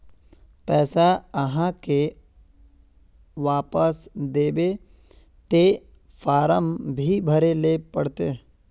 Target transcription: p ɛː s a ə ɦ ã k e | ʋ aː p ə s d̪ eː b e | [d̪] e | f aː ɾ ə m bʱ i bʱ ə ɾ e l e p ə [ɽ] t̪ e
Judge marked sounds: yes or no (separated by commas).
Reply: no, yes